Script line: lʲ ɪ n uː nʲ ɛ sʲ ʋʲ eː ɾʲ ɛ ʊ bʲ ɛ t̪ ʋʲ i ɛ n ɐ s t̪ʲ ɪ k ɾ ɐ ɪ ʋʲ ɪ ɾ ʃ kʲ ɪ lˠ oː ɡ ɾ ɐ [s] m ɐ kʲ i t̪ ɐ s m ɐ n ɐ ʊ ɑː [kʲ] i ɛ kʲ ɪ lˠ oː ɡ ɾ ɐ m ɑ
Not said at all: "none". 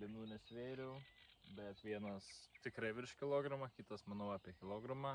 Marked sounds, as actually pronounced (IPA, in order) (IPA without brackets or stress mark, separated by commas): none, pʲ